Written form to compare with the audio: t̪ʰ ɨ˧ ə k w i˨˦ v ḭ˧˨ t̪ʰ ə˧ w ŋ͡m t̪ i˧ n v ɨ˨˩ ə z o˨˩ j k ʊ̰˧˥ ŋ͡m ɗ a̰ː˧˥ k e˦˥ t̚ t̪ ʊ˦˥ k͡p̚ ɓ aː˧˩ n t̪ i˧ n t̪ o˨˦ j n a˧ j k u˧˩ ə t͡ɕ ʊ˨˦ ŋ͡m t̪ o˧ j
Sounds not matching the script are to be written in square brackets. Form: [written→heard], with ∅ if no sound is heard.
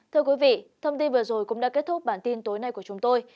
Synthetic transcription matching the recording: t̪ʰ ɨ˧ ə k w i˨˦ v ḭ˧˨ t̪ʰ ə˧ w ŋ͡m t̪ i˧ n v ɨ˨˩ ə z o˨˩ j k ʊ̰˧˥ ŋ͡m ɗ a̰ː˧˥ k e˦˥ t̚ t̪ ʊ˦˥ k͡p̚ ɓ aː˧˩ n t̪ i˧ n t̪ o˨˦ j n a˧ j k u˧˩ ə t͡ɕ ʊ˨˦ ŋ͡m t̪ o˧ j